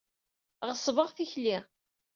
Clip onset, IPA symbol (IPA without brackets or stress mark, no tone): ʁ